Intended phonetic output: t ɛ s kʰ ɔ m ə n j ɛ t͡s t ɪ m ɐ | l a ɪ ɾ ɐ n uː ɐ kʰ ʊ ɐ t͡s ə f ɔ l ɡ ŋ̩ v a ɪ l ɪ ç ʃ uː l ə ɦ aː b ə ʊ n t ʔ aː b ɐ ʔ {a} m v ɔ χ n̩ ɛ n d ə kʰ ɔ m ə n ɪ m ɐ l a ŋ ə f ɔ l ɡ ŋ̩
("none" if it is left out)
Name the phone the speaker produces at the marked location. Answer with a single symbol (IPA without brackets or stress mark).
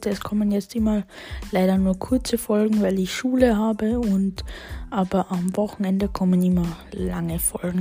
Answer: a